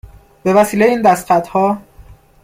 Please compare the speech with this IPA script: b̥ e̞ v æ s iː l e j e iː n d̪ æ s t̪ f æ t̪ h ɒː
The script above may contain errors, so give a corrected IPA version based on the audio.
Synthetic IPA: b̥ e̞ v æ s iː l e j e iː n d̪ æ s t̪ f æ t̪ h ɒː